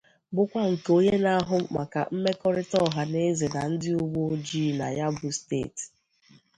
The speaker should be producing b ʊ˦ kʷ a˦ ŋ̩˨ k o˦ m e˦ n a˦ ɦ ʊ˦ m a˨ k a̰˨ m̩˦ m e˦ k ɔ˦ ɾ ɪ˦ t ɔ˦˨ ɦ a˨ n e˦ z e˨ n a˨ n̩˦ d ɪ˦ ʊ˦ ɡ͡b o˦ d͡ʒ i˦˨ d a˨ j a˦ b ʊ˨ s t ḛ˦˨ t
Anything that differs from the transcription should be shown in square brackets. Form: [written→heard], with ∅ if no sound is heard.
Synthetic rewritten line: b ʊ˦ kʷ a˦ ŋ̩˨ k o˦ [m→ɲ] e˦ n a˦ ɦ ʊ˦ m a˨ k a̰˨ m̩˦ m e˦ k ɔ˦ ɾ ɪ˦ t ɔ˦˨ ɦ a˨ n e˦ z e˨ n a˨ n̩˦ d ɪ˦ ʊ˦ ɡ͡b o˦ d͡ʒ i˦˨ [d→n] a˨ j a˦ b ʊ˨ s t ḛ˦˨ t